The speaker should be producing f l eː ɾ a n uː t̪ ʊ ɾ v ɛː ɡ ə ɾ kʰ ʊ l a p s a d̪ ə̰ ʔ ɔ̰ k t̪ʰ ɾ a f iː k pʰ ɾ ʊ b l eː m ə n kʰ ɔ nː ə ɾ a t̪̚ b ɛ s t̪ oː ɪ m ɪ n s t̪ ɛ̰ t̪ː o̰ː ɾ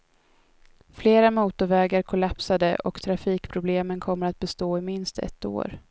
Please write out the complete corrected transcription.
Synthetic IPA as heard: f l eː ɾ a m uː t̪ ʊ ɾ v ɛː ɡ a ɾ kʰ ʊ l a p s a d̪ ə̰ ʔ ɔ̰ k t̪ʰ ɾ a f iː k pʰ ɾ ʊ b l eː m ə n kʰ ɔ mː ə ɾ a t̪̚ b ɛ s t̪ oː ɪ m ɪ n s t̪ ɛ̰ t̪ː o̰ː ɾ